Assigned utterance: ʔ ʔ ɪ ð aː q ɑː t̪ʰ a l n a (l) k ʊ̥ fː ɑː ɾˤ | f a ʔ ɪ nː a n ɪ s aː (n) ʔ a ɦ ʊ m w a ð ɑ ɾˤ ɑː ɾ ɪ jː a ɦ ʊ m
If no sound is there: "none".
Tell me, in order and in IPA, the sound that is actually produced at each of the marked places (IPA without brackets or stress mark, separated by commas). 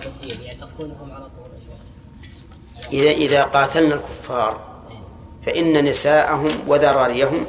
l, none